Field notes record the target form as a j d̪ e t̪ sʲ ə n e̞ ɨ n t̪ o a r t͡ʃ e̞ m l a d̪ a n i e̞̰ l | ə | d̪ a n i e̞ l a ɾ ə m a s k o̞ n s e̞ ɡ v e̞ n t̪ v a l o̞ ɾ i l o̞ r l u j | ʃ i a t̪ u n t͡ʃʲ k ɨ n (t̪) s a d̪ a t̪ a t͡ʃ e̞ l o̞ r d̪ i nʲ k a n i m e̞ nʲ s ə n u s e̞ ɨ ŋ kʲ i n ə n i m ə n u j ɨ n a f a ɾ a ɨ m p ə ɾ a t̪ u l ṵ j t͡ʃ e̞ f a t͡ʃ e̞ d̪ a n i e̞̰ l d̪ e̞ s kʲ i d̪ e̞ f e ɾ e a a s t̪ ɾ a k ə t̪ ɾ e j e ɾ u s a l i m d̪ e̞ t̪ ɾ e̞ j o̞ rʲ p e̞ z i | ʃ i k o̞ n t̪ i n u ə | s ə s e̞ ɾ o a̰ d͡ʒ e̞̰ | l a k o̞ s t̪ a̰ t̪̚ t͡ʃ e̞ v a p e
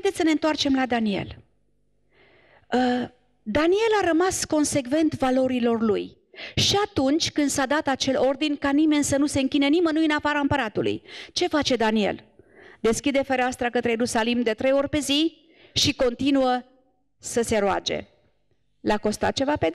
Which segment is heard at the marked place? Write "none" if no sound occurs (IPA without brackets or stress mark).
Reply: d̪